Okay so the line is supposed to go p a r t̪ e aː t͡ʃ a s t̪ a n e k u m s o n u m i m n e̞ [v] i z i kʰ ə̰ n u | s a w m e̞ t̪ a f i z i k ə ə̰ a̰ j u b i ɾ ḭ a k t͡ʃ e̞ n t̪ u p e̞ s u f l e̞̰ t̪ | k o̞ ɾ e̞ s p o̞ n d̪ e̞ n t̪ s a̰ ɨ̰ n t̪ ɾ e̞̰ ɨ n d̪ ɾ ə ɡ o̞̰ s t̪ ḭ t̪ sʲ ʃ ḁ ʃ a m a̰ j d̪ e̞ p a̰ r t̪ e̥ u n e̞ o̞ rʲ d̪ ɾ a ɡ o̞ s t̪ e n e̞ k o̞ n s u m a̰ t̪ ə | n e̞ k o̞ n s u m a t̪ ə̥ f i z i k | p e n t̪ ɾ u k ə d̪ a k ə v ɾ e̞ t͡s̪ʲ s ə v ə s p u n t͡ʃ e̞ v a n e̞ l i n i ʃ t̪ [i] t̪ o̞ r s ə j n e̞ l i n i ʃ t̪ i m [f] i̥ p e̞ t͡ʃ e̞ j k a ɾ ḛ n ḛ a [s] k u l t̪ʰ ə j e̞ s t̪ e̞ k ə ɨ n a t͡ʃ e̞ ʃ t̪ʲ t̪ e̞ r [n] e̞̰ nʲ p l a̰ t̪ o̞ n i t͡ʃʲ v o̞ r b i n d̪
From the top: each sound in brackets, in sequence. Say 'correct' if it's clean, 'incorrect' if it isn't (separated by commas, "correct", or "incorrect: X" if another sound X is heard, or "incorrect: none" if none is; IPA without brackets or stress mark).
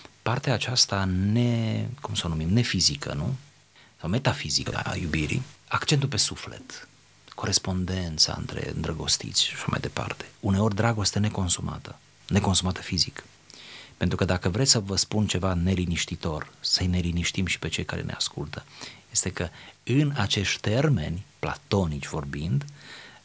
incorrect: f, correct, incorrect: ʃ, correct, incorrect: m